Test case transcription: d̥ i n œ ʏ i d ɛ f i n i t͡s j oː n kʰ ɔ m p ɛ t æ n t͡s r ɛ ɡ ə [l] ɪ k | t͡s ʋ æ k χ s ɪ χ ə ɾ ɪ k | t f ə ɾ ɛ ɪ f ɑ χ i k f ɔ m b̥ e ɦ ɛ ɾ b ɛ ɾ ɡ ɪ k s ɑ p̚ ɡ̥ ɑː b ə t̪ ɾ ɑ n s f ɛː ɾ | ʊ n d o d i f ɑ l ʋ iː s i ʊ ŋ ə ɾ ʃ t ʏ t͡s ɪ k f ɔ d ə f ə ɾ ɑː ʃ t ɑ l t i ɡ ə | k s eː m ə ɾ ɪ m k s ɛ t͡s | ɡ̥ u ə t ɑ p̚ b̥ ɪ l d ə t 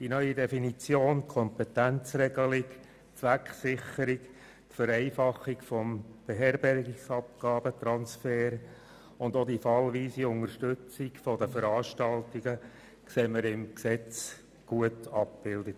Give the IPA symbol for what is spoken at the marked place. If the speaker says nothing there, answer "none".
l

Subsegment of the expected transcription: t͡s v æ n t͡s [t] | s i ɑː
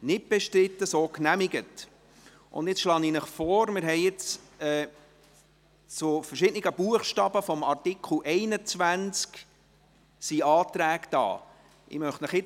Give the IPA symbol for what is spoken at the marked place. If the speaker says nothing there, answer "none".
k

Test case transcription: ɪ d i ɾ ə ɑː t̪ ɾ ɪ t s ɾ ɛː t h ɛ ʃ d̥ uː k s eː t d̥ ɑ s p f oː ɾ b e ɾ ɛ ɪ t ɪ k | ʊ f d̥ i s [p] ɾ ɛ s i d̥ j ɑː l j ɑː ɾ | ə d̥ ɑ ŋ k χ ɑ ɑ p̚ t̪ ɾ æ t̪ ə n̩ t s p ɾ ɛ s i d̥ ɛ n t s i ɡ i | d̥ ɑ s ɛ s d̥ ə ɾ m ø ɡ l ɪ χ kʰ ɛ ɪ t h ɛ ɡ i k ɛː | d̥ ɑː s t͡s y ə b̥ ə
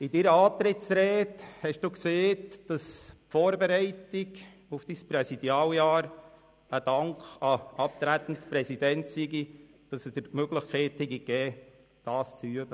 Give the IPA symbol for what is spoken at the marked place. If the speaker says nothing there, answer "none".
p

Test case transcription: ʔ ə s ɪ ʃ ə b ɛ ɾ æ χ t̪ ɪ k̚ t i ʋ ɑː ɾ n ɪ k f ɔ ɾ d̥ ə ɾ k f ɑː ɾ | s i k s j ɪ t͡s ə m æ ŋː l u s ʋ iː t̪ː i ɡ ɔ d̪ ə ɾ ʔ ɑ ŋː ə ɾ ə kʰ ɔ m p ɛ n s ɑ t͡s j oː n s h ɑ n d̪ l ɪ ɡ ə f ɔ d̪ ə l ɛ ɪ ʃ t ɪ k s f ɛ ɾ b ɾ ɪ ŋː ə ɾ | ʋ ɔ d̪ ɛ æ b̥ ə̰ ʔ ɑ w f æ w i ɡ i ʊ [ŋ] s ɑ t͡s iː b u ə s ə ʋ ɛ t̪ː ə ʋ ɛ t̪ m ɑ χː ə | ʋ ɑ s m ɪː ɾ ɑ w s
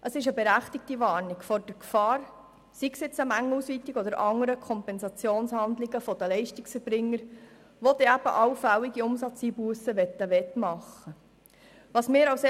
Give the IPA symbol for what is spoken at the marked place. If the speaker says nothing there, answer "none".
m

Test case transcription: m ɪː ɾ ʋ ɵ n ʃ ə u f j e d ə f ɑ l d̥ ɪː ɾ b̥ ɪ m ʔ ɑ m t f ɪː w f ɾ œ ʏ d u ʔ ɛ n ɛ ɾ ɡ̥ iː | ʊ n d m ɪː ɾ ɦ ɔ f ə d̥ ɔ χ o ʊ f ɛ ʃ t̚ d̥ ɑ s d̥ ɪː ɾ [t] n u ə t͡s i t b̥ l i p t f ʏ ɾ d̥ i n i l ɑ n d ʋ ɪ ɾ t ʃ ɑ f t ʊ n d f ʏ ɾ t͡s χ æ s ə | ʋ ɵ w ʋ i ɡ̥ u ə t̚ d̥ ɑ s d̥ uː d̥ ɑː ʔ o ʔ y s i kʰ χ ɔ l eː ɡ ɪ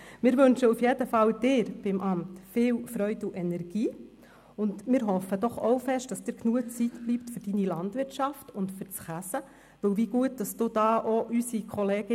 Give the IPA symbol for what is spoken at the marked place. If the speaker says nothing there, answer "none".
k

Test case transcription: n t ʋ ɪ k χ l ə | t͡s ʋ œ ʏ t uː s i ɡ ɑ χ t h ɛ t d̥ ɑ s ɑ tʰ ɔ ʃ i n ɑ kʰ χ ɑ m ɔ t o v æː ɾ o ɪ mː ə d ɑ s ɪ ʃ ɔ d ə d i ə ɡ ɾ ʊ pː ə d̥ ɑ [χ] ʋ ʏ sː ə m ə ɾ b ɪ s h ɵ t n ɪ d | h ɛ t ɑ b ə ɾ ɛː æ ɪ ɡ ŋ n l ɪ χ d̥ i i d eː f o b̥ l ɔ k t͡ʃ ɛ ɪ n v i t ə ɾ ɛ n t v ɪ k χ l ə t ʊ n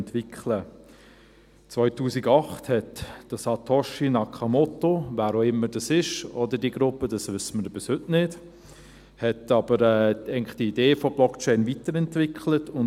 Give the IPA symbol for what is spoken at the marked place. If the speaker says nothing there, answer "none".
s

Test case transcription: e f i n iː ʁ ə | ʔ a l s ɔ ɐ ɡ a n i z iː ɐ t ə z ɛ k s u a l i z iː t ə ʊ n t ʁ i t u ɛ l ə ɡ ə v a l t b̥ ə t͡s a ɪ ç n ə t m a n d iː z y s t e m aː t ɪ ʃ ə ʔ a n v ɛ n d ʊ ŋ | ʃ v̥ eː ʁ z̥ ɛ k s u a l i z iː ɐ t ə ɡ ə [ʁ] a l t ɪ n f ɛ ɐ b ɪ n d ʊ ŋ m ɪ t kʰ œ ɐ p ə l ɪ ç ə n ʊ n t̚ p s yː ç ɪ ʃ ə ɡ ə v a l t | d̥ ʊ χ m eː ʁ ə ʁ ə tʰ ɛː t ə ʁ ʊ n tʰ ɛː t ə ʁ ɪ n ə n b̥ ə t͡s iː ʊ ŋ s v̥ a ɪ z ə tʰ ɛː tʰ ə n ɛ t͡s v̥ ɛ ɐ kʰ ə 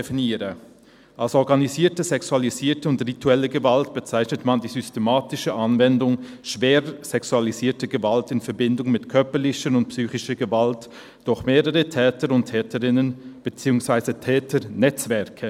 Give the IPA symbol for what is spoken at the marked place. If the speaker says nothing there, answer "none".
v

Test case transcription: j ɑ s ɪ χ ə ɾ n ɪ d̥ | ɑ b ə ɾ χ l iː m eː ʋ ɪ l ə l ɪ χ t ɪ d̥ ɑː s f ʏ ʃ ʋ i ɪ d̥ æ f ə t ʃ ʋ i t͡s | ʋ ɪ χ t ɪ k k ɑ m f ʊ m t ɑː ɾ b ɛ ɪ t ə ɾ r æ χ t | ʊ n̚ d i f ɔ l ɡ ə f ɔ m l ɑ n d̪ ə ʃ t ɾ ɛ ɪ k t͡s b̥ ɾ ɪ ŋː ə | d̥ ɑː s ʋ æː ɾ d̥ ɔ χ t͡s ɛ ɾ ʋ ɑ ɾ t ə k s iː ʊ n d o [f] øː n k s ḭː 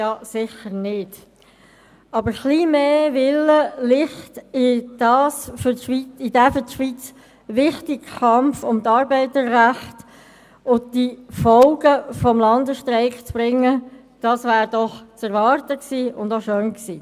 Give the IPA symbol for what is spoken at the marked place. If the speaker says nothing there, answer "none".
ʃ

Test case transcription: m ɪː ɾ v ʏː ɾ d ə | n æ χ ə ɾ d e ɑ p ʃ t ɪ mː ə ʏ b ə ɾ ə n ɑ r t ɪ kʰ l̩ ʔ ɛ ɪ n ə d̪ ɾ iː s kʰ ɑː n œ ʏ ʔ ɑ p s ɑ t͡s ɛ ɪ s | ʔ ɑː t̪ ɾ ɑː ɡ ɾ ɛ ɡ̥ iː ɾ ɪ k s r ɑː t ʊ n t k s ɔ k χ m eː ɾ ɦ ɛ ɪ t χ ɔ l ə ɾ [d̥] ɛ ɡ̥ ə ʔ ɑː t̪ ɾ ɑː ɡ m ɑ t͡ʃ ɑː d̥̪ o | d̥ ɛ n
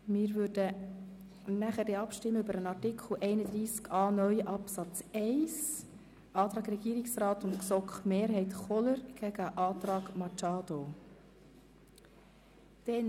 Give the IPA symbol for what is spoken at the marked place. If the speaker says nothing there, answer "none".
ɡ̥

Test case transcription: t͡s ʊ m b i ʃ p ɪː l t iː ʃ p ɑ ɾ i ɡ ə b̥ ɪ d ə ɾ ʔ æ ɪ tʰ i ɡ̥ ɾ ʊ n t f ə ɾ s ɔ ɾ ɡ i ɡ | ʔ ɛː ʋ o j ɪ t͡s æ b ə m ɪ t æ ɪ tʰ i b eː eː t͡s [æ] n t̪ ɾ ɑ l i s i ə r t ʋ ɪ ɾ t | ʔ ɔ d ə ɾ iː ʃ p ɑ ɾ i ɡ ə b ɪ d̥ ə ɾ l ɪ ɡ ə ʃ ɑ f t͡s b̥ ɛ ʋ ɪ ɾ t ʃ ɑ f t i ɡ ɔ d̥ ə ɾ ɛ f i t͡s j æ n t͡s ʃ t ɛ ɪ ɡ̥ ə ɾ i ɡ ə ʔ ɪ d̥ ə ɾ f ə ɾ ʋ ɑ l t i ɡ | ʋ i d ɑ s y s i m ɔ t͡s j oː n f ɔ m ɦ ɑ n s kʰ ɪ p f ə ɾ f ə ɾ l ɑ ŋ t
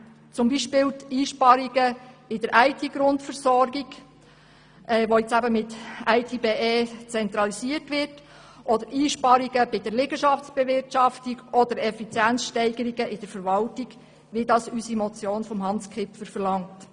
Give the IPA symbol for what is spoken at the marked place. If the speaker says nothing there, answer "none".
ɛ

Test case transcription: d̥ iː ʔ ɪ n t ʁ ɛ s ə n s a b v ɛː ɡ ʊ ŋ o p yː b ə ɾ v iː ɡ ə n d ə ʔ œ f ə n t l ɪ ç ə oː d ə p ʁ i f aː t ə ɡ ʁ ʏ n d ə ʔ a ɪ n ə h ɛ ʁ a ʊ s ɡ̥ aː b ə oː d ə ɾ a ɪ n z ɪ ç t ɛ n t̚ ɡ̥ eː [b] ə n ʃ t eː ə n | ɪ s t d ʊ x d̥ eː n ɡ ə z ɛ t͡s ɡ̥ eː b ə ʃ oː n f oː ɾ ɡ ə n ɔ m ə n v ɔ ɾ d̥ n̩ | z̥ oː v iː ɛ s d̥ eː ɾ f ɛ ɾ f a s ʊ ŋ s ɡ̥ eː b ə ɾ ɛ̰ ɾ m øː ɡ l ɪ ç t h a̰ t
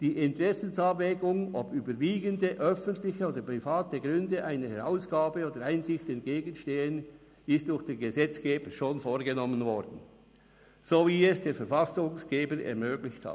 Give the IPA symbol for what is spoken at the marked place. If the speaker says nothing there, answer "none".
ɡ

